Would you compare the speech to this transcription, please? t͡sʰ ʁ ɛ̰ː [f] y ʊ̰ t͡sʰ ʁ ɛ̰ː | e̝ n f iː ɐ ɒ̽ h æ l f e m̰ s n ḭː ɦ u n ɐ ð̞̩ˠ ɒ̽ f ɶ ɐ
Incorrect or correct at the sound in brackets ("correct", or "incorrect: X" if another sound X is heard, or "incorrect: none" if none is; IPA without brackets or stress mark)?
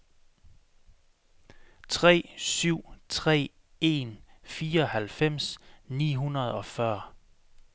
incorrect: s